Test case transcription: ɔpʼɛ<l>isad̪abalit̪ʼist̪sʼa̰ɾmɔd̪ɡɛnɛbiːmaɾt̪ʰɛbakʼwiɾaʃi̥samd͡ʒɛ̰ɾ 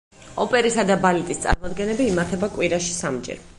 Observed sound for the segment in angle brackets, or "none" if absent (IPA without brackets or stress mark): ɾ